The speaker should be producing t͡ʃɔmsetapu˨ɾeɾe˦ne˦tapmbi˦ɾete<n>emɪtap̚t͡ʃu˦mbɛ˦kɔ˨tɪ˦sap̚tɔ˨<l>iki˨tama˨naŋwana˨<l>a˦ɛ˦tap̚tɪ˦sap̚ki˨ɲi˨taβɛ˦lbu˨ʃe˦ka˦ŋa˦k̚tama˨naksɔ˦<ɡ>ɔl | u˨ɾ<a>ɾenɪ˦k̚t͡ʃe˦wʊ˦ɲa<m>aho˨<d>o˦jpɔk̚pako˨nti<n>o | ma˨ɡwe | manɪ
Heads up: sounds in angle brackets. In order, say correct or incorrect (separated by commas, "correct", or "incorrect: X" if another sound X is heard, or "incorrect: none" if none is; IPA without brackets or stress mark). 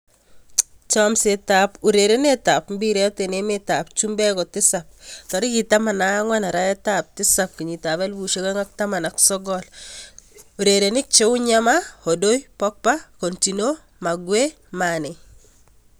correct, incorrect: ɾ, incorrect: ɾ, correct, incorrect: e, correct, correct, correct